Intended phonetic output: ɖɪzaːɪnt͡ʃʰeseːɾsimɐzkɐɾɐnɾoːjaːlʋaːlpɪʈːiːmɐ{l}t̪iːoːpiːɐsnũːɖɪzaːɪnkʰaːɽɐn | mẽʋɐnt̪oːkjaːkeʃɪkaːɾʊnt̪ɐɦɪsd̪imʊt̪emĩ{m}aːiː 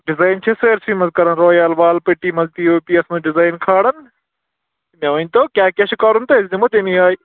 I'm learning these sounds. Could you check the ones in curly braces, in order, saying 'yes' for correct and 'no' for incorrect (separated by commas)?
yes, no